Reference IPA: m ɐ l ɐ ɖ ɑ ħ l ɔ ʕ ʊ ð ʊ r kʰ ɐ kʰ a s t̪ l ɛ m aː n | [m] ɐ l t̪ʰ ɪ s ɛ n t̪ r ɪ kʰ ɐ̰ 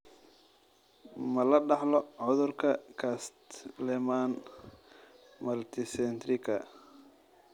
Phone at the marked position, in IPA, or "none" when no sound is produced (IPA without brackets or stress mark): m